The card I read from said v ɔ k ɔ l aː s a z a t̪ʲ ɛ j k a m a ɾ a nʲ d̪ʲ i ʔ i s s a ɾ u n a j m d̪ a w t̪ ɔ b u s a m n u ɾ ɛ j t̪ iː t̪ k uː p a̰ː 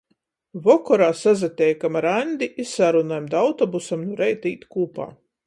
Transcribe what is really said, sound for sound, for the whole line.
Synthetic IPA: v ɔ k ɔ ɾ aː s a z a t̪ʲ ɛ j k a m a ɾ a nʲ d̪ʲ i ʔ i s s a ɾ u n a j m d̪ a w t̪ ɔ b u s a m n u ɾ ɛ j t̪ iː t̪ k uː p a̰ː

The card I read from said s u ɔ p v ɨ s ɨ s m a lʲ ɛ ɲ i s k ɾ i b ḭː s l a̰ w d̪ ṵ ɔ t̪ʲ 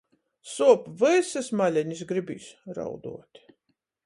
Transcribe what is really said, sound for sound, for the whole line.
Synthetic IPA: s u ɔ p v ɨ s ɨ s m a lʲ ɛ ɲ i s ɡ ɾ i b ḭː s ɾ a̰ w d̪ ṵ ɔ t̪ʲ

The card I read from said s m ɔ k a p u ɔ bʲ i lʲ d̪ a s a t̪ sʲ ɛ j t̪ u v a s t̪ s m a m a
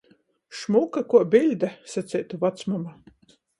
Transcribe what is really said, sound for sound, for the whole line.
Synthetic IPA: ʃ m u k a k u ɔ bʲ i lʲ d̪ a s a t̪ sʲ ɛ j t̪ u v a t̪ s m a m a

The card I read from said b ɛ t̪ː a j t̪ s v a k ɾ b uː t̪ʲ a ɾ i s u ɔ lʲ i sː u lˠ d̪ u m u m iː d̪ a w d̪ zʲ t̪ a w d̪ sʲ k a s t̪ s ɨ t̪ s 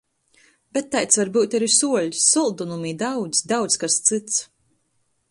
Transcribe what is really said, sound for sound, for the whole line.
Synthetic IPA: b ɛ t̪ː a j t̪ s v a ɾ b uː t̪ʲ a ɾ i s u ɔ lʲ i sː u lˠ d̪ u n u m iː d̪ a w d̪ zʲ d̪ a w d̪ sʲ k a s t̪ s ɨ t̪ s

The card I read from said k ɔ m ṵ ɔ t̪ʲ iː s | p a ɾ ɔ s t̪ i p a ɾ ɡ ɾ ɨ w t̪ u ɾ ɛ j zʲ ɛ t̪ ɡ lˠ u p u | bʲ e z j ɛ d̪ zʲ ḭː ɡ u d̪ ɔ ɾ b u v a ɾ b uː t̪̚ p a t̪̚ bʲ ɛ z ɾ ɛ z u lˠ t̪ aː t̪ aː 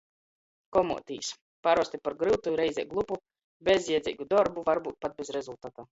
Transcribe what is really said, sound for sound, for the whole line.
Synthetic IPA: k ɔ m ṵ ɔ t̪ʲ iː s | p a ɾ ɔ s t̪ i p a ɾ ɡ ɾ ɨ w t̪ u ɾ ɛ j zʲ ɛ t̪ ɡ lˠ u p u | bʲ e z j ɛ d̪ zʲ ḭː ɡ u d̪ ɔ ɾ b u v a ɾ b uː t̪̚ p a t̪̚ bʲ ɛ z ɾ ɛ z u lˠ t̪ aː t̪ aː

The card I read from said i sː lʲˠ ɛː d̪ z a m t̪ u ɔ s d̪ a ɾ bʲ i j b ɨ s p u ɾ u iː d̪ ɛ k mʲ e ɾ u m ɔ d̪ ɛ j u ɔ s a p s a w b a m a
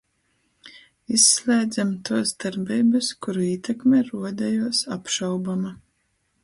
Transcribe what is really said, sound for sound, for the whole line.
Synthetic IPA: i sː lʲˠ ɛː d̪ z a m t̪ u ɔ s d̪ a ɾ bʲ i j b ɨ s k u ɾ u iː t̪ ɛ k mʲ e ɾ u ɔ d̪ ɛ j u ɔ s a p ʃ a w b a m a

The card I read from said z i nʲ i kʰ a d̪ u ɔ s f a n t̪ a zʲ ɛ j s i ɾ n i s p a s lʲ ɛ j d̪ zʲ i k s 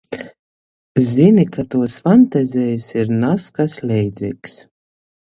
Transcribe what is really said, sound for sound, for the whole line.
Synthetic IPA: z i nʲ i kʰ a t̪ u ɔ s f a n t̪ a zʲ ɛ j s i ɾ n a s k a s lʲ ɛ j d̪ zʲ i k s

